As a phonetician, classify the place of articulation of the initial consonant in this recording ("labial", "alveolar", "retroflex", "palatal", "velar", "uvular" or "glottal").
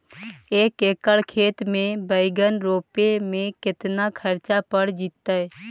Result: velar